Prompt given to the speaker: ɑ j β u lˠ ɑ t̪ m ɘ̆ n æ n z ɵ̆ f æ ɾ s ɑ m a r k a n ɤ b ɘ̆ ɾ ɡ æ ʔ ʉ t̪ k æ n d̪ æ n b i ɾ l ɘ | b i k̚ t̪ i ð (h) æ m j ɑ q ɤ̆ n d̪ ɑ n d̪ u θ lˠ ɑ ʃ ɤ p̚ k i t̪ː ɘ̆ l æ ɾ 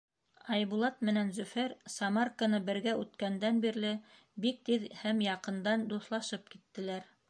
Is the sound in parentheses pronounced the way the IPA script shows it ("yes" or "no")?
yes